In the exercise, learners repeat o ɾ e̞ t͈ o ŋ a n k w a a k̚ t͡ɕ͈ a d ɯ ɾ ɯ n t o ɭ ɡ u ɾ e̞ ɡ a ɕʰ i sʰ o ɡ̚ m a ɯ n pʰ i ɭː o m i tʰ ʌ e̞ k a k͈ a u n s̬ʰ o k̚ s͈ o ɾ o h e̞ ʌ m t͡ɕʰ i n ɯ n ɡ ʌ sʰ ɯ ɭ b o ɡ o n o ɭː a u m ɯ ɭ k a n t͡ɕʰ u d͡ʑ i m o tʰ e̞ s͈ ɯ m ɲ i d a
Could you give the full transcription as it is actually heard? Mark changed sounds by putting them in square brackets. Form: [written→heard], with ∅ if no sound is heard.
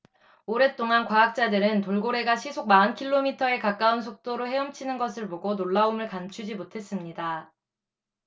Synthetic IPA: o ɾ e̞ t͈ o ŋ a n k w a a k̚ t͡ɕ͈ a d ɯ ɾ ɯ n t o ɭ ɡ [u→o] ɾ e̞ ɡ a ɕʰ i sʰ o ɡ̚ m a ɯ n [pʰ→kʰ] i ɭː o m i tʰ ʌ e̞ k a k͈ a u n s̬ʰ o k̚ [s͈→t͈] o ɾ o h e̞ ʌ m t͡ɕʰ i n ɯ n ɡ ʌ sʰ ɯ ɭ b o ɡ o n o ɭː a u m ɯ ɭ k a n t͡ɕʰ u d͡ʑ i m o tʰ e̞ s͈ ɯ m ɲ i d a